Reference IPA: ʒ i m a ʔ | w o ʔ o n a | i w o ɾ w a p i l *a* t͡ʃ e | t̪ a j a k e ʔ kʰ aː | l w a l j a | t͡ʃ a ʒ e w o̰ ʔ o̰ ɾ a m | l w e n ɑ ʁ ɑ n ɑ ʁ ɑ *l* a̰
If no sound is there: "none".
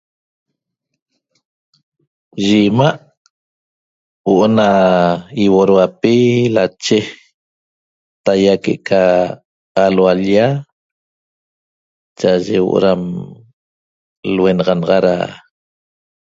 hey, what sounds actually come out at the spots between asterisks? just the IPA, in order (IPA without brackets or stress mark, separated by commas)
a, ɾ